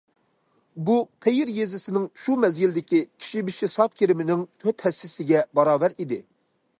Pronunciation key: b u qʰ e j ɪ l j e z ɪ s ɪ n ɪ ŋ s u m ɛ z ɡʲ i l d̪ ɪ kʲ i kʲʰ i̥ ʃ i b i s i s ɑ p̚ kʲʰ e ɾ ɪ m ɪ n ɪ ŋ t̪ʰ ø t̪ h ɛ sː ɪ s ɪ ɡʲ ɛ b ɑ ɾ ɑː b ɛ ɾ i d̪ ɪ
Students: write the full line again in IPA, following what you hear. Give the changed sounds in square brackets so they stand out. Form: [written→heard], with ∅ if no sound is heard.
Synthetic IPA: b u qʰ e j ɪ [l→ɾ] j e z ɪ s ɪ n ɪ ŋ [s→ʃ] u m ɛ z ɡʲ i l d̪ ɪ kʲ i kʲʰ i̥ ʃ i b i [s→ʃ] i s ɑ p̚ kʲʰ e ɾ ɪ m ɪ n ɪ ŋ t̪ʰ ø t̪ h ɛ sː ɪ s ɪ ɡʲ ɛ b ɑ ɾ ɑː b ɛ ɾ i d̪ ɪ